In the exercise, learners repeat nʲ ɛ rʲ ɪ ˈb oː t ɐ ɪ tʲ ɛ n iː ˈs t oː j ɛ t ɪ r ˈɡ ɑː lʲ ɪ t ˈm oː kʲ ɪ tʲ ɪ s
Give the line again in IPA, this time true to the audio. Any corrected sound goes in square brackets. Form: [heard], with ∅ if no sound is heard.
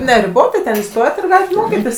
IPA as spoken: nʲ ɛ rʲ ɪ ˈb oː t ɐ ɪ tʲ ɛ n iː ˈs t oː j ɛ t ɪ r ˈɡ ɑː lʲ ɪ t ˈm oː kʲ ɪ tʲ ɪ s